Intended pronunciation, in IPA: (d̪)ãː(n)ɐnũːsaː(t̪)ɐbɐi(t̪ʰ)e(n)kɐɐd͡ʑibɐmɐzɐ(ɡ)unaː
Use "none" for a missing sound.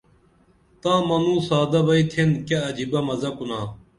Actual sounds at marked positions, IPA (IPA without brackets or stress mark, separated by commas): t̪, m, d̪, t̪ʰ, n, k